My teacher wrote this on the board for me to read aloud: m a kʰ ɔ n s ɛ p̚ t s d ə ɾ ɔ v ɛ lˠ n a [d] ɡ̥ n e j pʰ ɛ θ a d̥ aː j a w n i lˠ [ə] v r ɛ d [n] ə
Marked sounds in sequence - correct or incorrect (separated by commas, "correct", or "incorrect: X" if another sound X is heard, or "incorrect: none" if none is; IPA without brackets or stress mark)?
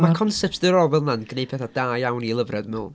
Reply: incorrect: n, correct, incorrect: m